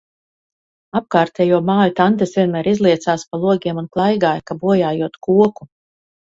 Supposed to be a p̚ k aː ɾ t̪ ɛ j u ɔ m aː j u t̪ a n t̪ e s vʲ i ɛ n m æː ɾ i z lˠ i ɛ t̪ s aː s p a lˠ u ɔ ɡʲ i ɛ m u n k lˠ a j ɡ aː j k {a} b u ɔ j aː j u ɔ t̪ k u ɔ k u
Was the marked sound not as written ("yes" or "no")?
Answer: no